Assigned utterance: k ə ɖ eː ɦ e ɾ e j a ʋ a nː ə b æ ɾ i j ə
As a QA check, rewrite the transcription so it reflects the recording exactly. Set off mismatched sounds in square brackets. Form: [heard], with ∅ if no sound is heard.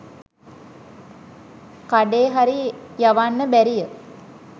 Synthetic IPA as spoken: k [a] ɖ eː ɦ [a] ɾ [i] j a ʋ a nː ə b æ ɾ i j ə